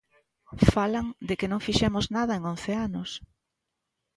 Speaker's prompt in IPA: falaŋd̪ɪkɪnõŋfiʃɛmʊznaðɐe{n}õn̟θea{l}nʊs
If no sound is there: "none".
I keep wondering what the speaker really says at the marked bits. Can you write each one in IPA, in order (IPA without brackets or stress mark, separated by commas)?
ŋ, none